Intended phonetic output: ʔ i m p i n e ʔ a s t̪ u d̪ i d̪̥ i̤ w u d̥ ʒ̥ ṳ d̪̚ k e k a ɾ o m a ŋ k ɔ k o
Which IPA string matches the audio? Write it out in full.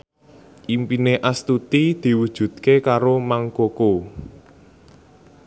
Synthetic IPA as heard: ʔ i m p i n e ʔ a s t̪ u t̪ i d̪̥ i̤ w u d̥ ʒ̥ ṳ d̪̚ k e k a ɾ o m a ŋ k o k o